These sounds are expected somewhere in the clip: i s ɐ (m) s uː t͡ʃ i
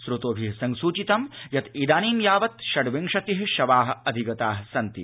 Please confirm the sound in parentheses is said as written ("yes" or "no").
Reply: no